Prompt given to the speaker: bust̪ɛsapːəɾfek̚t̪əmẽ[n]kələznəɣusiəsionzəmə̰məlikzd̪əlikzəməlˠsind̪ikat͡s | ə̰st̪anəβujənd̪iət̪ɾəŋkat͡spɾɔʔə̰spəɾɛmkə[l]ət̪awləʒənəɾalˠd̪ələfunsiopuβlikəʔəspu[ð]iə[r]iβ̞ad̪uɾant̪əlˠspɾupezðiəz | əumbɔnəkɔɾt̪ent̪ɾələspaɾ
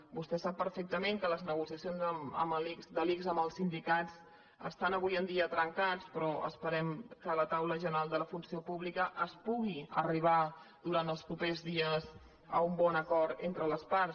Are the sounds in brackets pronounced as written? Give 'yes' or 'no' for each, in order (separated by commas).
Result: no, yes, no, yes